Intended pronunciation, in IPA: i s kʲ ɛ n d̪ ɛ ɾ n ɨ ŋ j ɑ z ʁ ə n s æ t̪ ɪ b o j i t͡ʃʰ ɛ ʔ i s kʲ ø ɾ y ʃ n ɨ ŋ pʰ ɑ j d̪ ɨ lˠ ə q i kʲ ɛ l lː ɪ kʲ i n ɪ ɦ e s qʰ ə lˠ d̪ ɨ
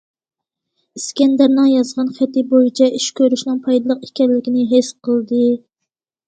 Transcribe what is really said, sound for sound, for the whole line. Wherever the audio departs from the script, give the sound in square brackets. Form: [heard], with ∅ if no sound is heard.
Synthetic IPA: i s kʲ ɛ n d̪ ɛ ɾ n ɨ ŋ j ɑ z ʁ [ɑ] n [χ] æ t̪ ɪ b o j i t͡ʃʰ ɛ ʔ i [ʃ] kʲ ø ɾ y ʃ n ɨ ŋ pʰ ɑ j d̪ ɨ lˠ ə q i kʲ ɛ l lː ɪ kʲ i n ɪ ɦ e s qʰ ə lˠ d̪ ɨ